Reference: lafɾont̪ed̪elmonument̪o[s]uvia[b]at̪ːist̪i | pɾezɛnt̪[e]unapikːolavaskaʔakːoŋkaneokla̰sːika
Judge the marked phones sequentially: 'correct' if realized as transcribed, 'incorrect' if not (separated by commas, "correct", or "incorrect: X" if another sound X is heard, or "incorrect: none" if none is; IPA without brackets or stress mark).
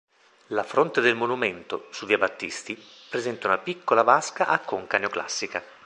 correct, correct, incorrect: a